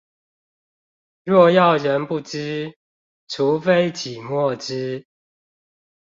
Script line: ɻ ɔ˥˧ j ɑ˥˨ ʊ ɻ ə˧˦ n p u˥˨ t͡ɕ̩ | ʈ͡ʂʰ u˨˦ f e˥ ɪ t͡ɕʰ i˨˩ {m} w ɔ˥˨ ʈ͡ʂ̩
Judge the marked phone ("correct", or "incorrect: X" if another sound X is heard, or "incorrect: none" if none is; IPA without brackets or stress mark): correct